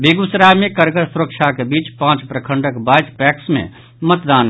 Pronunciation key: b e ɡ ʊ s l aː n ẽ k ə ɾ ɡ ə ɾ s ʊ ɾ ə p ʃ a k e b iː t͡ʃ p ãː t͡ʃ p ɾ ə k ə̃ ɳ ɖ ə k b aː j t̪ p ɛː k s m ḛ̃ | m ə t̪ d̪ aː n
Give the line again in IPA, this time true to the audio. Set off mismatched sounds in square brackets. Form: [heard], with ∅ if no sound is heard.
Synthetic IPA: b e ɡ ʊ s [ɾ] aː [m] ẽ k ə ɾ ɡ ə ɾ s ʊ ɾ ə [k] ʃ a k e b iː t͡ʃ p ãː t͡ʃ p ɾ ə [kʰ] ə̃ ɳ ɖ ə k b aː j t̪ p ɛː k s m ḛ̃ | m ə t̪ d̪ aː n